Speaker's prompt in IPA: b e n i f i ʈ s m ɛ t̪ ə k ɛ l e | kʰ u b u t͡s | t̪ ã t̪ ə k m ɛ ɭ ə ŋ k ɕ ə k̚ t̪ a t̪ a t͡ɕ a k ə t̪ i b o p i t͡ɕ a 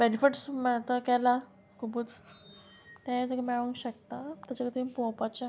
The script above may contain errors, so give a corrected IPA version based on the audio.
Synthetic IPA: b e n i f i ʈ s m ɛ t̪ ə k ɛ l a | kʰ u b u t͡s | t̪ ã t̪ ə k m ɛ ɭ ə ŋ k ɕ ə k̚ t̪ a t̪ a t͡ɕ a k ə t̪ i p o p a t͡ɕ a